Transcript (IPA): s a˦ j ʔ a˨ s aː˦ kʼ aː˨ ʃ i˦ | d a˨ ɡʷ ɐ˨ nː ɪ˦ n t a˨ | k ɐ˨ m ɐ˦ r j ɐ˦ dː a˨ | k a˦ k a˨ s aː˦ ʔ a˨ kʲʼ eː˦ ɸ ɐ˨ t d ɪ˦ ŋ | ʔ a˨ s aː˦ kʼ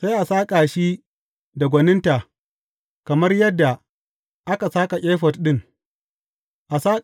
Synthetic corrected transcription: s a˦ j ʔ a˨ s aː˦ kʼ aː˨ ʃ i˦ | d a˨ ɡʷ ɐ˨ n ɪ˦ n t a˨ | k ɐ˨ m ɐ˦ r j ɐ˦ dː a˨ | ʔ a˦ k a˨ s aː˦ k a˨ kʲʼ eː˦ ɸ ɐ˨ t ɗ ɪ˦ ŋ | ʔ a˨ s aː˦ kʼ